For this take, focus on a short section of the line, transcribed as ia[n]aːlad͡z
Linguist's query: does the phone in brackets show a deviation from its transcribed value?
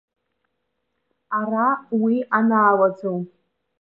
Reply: no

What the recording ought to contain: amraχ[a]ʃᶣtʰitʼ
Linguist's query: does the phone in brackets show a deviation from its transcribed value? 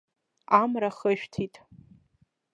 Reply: yes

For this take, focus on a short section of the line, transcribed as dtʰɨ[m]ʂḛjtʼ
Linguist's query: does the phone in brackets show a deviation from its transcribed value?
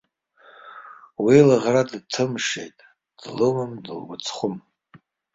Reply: no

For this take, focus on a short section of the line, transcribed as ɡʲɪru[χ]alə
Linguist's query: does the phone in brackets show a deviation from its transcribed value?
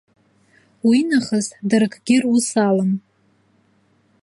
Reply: yes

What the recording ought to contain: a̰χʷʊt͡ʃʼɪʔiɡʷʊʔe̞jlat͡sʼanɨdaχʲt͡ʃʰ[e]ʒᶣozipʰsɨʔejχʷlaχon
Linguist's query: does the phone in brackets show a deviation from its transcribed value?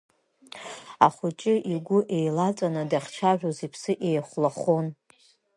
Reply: yes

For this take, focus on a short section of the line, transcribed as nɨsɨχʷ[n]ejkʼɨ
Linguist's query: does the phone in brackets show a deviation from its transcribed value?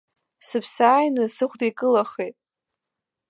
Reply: yes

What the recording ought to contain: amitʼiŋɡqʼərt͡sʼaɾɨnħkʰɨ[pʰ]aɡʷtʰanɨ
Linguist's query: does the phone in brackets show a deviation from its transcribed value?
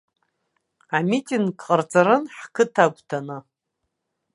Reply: yes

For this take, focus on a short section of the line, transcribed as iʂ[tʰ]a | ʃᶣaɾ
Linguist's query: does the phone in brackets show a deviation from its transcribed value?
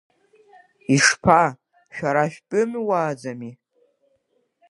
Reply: yes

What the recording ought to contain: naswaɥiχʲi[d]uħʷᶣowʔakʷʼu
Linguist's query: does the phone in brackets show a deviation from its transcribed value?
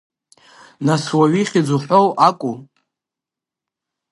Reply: yes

